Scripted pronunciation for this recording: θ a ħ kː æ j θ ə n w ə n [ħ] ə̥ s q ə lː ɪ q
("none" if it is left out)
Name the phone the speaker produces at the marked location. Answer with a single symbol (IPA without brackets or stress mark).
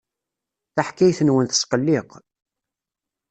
θ